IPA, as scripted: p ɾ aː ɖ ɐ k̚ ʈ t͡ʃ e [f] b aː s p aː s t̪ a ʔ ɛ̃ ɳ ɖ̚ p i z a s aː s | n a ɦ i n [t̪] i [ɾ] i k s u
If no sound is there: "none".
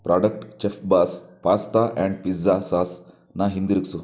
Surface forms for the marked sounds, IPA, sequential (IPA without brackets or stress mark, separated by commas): f, d̪, ɾ